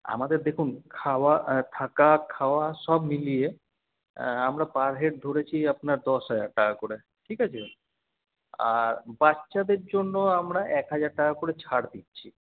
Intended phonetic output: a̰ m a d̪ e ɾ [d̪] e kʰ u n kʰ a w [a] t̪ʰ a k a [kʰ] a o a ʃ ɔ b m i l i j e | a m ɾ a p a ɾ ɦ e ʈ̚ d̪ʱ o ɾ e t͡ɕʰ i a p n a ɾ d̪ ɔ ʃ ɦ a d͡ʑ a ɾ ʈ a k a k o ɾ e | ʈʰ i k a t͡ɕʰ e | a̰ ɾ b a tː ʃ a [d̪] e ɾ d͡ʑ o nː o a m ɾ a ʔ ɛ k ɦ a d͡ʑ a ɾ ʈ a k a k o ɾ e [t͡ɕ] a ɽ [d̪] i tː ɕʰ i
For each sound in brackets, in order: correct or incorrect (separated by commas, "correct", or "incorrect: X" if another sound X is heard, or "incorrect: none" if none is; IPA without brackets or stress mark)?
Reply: correct, correct, correct, correct, incorrect: t͡ɕʰ, correct